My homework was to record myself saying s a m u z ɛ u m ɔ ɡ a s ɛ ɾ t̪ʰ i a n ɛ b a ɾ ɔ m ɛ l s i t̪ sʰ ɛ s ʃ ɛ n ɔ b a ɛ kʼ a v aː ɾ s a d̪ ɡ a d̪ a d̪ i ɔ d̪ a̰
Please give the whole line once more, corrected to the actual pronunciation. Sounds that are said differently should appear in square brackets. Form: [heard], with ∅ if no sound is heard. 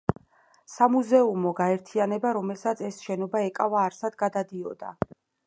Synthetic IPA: s a m u z ɛ u m ɔ ɡ a [∅] ɛ ɾ t̪ʰ i a n ɛ b a ɾ ɔ m ɛ l s [a] t̪ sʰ ɛ s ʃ ɛ n ɔ b a ɛ kʼ a v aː ɾ s a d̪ ɡ a d̪ a d̪ i ɔ d̪ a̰